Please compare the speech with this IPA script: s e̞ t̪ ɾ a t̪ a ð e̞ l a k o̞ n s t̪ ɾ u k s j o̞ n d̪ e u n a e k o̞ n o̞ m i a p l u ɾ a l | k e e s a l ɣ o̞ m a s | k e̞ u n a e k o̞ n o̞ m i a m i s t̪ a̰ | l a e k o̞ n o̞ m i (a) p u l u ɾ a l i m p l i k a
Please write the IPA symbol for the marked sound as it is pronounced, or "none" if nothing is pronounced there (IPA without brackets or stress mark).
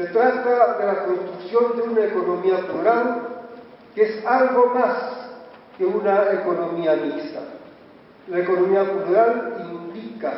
a